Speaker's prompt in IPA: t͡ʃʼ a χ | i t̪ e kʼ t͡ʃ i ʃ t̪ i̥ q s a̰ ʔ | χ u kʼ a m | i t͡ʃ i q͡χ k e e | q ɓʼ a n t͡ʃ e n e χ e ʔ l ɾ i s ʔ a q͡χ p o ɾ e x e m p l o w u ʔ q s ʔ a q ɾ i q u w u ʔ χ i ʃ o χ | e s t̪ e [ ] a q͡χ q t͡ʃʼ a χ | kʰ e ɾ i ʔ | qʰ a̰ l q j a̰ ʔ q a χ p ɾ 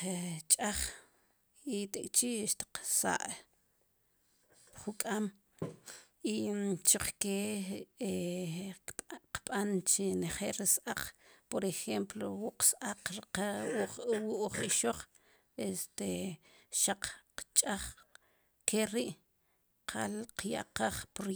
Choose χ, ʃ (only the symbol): ʃ